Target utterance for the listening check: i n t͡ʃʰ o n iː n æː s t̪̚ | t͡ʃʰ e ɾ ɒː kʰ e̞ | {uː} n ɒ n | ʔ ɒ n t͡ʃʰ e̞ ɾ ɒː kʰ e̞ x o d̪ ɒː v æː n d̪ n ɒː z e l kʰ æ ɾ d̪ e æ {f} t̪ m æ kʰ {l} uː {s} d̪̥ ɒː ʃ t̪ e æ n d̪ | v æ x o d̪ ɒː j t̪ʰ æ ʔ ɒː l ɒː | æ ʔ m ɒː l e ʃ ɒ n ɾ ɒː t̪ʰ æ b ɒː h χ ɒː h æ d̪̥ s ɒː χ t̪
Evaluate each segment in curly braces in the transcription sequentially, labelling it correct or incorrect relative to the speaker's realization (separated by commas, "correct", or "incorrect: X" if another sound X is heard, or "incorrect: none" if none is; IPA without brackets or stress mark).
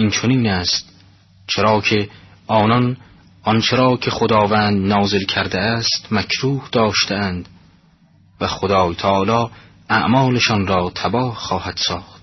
incorrect: ɒː, incorrect: s, incorrect: ɾ, incorrect: h